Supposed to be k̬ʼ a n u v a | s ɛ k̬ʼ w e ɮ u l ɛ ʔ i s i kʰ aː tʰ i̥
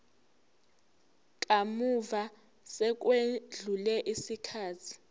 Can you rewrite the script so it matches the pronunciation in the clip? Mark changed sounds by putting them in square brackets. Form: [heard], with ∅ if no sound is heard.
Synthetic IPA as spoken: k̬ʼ a [m] u v a | s ɛ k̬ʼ w e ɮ u l ɛ ʔ i s i kʰ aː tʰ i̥